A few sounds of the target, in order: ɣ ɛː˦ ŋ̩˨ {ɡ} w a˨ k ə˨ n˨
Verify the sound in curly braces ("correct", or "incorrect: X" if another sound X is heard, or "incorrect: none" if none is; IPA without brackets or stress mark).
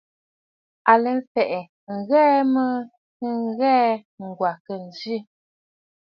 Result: correct